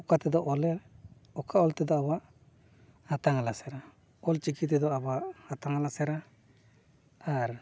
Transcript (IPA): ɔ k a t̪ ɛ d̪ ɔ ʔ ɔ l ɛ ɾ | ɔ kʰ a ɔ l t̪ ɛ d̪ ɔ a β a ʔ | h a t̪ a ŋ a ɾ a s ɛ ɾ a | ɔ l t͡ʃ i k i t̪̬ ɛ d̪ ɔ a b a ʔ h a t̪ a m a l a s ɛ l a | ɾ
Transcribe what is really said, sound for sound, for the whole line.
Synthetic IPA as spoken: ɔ k a t̪ ɛ d̪ ɔ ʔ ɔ l ɛ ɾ | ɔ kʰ a ɔ l t̪ ɛ d̪ ɔ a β a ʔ | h a t̪ a ŋ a l a s ɛ ɾ a | ɔ l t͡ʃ i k i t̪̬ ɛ d̪ ɔ a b a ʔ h a t̪ a ŋ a l a s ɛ ɾ a | ɾ